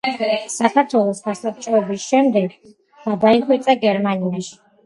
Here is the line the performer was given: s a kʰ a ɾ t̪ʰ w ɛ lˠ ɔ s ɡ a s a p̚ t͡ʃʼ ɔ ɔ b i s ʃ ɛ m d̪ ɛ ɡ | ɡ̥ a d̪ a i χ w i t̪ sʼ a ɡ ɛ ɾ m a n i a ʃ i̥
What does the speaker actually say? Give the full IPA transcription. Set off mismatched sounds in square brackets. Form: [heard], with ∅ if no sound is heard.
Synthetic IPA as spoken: s a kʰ a ɾ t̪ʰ w ɛ lˠ ɔ s ɡ a s a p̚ t͡ʃʼ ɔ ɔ b i s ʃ ɛ m d̪ ɛ ɡ | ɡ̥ a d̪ a i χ w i t̪ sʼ a ɡ ɛ ɾ m a n i a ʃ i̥